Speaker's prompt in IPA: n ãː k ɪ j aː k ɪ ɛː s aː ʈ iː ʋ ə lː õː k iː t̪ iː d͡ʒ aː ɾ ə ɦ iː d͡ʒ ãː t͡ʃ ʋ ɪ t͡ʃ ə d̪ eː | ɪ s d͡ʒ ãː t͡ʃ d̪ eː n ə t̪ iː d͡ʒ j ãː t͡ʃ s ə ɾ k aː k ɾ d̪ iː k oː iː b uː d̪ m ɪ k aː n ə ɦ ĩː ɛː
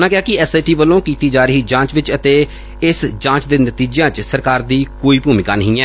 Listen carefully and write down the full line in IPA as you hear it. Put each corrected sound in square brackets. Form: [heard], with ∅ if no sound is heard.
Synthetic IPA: n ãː k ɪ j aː k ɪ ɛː s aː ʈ iː ʋ ə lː õː k iː t̪ iː d͡ʒ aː ɾ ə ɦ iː d͡ʒ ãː t͡ʃ ʋ ɪ t͡ʃ ə [t̪] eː | ɪ s d͡ʒ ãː t͡ʃ d̪ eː n ə t̪ iː d͡ʒ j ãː t͡ʃ s ə ɾ k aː [∅] ɾ d̪ iː k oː iː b uː [∅] m ɪ k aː n ə ɦ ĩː ɛː